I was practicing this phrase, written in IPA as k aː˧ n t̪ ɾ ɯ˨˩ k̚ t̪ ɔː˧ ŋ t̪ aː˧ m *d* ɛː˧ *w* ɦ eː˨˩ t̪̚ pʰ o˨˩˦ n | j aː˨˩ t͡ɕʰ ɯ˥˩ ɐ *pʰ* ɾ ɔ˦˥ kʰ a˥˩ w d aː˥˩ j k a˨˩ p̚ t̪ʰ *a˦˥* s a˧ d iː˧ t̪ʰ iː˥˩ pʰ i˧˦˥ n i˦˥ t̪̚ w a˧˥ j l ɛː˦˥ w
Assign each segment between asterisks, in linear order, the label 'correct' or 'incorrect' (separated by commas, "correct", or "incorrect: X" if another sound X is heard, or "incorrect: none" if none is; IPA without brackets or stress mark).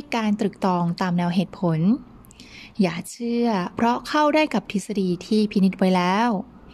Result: incorrect: n, correct, correct, incorrect: i˦˥